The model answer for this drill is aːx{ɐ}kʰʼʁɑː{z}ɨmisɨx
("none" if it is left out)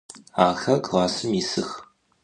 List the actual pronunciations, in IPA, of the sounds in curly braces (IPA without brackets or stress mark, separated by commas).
ɐ, s